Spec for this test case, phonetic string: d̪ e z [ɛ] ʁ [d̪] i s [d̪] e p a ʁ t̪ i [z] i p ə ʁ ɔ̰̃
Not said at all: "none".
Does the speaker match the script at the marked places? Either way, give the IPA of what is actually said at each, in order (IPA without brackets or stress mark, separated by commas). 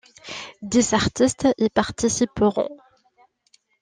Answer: a, t̪, t̪, s